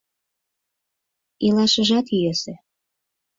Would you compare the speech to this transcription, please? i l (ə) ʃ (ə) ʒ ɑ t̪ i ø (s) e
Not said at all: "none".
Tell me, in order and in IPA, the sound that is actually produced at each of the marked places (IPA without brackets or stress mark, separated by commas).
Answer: ɑ, ə, s